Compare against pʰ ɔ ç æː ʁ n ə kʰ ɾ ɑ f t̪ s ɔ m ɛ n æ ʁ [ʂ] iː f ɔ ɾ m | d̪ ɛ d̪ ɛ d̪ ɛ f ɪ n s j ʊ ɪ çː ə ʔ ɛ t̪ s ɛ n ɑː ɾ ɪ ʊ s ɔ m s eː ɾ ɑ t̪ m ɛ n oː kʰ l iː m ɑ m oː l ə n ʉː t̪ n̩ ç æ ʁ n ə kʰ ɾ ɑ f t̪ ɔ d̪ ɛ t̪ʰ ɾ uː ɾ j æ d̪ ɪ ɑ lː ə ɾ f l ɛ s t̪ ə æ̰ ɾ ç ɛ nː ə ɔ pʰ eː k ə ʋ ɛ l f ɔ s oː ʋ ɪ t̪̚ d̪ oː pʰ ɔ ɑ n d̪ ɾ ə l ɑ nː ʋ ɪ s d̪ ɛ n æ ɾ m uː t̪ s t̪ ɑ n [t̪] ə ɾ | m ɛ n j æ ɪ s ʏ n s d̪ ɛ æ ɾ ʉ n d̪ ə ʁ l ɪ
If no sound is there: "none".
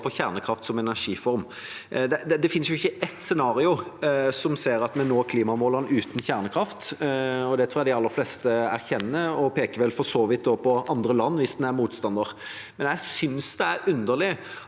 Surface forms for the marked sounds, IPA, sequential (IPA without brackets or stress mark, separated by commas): ʂ, d̪